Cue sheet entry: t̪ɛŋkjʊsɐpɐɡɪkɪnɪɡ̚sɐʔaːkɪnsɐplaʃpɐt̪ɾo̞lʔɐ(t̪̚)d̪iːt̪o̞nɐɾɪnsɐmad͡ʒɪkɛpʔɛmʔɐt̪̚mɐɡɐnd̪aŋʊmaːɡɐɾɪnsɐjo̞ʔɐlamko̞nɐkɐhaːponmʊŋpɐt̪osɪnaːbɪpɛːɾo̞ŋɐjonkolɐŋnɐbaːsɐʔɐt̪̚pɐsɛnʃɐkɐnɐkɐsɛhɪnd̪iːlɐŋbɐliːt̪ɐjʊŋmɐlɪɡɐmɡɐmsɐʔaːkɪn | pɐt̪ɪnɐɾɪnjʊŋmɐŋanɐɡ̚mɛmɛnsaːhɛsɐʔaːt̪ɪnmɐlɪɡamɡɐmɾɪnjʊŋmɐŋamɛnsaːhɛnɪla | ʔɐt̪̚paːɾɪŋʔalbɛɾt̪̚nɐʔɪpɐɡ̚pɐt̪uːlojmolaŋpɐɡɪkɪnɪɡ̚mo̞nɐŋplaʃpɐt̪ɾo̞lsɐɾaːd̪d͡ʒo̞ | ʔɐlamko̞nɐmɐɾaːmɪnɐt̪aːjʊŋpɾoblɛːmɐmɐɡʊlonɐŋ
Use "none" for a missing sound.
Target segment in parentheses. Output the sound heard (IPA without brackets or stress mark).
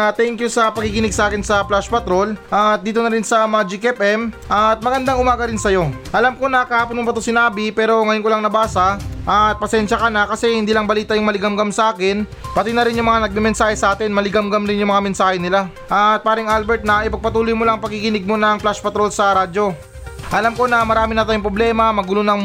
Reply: t̪̚